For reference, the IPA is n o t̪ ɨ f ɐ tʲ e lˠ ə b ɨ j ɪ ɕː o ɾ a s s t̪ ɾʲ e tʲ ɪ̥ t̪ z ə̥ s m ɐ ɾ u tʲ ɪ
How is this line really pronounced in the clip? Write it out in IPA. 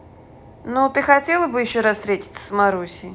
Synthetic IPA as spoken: n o t̪ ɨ x ɐ tʲ e lˠ ə b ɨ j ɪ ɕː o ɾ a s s t̪ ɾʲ e tʲ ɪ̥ t̪ s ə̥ s m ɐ ɾ u sʲ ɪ